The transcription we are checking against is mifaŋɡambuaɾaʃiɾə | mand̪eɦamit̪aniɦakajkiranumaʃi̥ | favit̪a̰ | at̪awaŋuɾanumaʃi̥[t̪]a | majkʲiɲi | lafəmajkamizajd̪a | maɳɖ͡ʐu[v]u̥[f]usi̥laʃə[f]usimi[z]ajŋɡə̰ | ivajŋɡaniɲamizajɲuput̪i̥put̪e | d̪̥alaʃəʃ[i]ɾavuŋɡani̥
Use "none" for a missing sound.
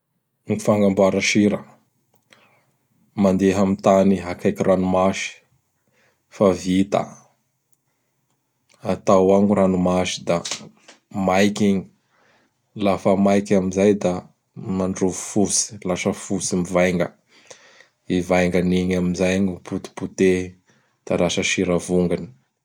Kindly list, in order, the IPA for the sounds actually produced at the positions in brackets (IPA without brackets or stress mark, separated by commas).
d̪, v, f, f, v, i